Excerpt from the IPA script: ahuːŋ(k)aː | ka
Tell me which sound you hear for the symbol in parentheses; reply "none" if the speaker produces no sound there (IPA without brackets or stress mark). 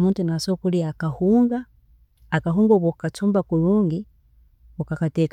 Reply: ɡ